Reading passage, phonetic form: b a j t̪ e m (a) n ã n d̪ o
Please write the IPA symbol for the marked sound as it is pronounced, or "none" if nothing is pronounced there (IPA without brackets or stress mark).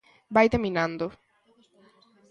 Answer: i